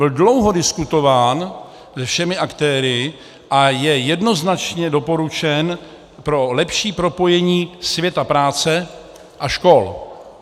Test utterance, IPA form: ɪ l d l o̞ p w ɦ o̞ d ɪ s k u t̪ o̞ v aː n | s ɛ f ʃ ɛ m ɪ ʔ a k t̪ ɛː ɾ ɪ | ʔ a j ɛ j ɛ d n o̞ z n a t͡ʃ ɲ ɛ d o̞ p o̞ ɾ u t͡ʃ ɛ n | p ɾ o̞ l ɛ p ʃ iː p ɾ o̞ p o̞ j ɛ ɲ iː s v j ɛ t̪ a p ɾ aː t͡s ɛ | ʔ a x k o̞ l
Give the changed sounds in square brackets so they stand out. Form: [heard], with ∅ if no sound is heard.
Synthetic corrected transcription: ɪ l d l o̞ [∅] w ɦ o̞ d ɪ s k u t̪ o̞ v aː n | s ɛ f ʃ ɛ m ɪ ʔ a k t̪ ɛː ɾ ɪ | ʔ a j ɛ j ɛ d n o̞ z n a t͡ʃ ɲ ɛ d o̞ p o̞ ɾ u t͡ʃ ɛ n | p ɾ o̞ l ɛ p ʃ iː p ɾ o̞ p o̞ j ɛ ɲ iː s v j ɛ t̪ a p ɾ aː t͡s ɛ | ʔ a [ʃ] k o̞ l